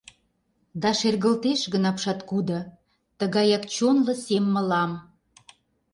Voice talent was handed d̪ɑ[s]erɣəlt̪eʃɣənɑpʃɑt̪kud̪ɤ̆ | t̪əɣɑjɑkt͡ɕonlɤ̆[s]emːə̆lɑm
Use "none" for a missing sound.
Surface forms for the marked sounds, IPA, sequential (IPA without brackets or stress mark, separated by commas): ʃ, s